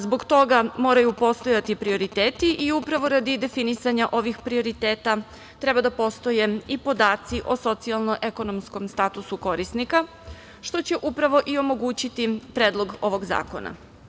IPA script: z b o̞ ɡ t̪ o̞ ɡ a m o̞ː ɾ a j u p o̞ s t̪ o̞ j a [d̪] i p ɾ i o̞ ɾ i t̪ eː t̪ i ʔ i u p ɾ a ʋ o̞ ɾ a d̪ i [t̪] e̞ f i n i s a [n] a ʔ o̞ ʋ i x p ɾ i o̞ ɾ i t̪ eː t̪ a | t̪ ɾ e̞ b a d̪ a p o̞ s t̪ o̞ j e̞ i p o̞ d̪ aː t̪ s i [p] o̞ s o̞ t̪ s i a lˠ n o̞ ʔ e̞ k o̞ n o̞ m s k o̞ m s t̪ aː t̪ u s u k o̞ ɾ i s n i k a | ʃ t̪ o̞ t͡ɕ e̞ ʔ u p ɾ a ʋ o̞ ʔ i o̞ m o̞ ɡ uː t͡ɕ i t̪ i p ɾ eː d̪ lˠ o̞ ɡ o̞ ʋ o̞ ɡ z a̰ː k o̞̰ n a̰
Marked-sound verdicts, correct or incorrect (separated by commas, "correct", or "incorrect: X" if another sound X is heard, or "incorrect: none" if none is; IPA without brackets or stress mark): incorrect: t̪, incorrect: d̪, incorrect: ɲ, incorrect: ʔ